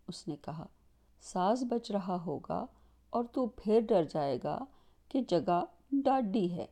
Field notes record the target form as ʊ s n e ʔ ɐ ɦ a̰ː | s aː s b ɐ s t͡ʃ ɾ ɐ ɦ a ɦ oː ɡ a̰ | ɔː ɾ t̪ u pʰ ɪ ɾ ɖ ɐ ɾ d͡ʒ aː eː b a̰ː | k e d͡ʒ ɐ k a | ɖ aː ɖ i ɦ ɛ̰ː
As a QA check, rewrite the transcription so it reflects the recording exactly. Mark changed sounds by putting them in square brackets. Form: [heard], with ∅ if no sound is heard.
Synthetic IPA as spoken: ʊ s n e [k] ɐ ɦ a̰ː | s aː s b ɐ [∅] t͡ʃ ɾ ɐ ɦ a ɦ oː ɡ a̰ | ɔː ɾ t̪ u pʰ ɪ ɾ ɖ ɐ ɾ d͡ʒ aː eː [ɡ] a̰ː | k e d͡ʒ ɐ [ɡ] a | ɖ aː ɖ i ɦ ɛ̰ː